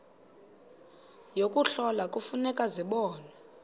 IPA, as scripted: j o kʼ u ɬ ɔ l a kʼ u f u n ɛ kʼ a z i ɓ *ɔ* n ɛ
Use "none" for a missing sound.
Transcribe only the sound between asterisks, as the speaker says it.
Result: ɔː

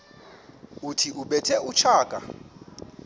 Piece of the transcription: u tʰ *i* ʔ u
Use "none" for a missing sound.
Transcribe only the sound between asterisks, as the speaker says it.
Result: i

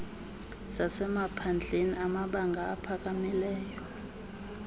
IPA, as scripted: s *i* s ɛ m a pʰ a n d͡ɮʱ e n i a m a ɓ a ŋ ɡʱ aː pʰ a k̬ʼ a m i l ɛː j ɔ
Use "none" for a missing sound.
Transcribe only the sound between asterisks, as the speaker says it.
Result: a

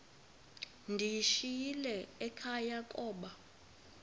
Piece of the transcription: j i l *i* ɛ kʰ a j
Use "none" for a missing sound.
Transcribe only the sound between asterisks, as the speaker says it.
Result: ɛ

